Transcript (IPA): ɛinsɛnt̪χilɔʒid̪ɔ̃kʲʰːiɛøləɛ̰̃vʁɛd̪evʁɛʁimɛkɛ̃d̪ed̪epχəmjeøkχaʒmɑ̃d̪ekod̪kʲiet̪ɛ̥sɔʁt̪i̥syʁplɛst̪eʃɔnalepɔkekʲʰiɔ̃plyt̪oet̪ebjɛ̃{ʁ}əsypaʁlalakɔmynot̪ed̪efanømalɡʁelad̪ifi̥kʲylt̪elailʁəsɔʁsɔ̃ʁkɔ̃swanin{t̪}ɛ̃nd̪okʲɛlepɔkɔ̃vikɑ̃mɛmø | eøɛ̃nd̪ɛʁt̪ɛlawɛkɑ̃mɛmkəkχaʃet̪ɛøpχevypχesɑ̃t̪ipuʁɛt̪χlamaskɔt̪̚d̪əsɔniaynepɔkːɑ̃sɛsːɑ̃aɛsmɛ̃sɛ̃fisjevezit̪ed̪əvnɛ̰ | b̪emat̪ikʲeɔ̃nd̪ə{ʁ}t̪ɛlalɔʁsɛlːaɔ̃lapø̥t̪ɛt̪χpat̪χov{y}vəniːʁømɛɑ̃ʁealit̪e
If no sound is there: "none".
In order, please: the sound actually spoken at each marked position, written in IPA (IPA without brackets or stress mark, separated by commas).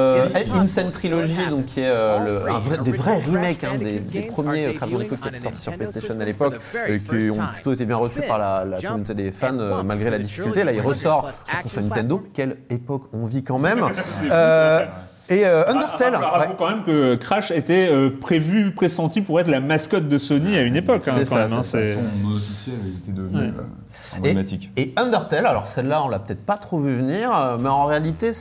ʁ, t̪, ʁ, y